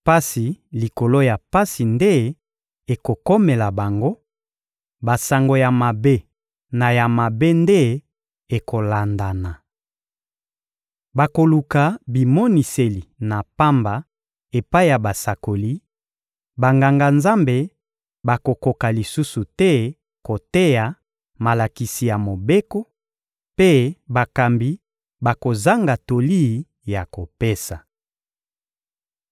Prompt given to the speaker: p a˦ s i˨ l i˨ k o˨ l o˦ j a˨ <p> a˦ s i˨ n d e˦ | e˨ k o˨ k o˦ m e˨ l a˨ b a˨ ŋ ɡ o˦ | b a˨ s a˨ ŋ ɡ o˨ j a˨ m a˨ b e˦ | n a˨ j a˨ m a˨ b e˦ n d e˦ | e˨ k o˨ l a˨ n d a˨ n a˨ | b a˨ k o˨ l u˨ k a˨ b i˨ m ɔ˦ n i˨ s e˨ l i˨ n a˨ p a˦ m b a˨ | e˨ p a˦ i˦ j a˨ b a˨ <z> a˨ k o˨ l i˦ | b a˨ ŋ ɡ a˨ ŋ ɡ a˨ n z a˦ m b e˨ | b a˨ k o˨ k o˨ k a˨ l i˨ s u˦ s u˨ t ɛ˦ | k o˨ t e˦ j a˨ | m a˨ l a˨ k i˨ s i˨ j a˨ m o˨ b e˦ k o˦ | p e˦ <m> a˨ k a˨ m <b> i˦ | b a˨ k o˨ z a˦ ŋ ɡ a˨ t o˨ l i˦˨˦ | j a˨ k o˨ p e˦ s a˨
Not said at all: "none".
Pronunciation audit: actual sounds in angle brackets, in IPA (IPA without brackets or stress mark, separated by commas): p, s, b, b